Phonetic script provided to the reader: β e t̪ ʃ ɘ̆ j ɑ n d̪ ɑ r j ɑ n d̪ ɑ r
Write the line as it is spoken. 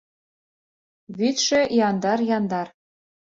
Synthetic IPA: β i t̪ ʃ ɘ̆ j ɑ n d̪ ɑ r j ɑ n d̪ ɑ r